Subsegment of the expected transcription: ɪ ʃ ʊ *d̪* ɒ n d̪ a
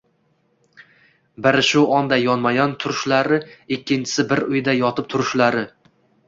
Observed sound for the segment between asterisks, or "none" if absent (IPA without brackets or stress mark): none